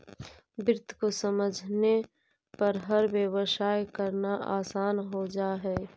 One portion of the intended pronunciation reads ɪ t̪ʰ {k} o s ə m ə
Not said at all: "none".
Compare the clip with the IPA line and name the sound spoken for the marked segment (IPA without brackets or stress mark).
k